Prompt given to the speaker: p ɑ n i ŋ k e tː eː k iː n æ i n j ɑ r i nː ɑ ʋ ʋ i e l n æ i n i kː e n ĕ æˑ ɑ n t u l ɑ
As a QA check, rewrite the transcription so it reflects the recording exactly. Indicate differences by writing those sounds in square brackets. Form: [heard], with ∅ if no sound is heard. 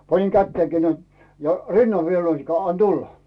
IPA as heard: p ɑ n i ŋ k [æ] tː eː k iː n æ i n j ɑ r i nː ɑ ʋ ʋ i e l n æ i n i kː [æ] n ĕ æˑ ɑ n t u [lː] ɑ